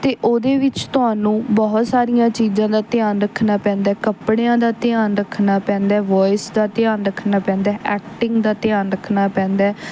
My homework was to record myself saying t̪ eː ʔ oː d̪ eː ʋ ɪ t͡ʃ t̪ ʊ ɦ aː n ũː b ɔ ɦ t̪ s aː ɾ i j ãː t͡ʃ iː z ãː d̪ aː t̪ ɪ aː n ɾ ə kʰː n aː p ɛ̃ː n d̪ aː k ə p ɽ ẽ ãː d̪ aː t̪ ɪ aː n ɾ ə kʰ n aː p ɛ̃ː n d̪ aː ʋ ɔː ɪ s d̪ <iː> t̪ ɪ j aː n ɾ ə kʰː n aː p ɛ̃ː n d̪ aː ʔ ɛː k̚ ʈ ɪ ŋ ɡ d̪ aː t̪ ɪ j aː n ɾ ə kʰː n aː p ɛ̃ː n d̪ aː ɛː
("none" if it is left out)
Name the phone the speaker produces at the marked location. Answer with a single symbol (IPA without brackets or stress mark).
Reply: aː